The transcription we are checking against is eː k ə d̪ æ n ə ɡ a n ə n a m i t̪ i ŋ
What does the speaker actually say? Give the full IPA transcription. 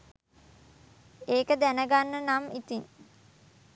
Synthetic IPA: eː k ə d̪ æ n ə ɡ a nː ə n a m i t̪ i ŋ